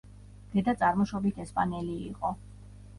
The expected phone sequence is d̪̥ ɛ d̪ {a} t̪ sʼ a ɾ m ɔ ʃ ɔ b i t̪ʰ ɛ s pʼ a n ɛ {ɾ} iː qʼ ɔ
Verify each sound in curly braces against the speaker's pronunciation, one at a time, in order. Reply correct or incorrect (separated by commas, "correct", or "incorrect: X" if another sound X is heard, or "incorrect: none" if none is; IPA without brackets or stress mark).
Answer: correct, incorrect: l